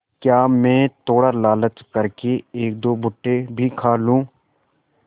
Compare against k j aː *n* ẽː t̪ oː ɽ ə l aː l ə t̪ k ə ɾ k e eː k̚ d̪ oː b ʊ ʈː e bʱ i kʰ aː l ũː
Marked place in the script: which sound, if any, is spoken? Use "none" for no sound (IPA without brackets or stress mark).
m